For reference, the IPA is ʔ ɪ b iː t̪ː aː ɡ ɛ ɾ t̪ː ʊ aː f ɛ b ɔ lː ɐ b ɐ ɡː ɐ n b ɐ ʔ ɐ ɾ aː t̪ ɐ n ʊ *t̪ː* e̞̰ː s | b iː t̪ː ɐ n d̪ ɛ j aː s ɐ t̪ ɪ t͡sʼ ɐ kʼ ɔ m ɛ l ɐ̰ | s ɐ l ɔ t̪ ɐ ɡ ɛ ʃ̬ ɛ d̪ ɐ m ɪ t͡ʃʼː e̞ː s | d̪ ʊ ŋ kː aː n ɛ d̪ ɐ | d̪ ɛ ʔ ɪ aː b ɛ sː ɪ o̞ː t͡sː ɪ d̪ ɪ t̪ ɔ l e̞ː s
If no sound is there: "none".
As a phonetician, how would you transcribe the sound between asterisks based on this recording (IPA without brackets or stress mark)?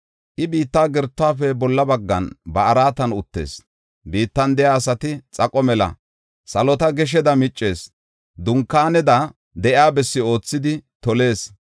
t̪ː